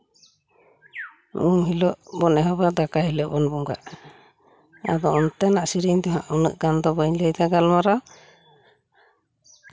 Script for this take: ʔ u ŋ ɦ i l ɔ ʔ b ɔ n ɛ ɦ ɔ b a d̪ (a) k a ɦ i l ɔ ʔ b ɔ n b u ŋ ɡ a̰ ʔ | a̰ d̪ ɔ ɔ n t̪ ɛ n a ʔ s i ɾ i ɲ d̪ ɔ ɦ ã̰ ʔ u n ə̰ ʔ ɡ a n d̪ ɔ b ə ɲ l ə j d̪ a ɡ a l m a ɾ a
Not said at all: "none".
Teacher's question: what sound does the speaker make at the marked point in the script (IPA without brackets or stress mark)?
a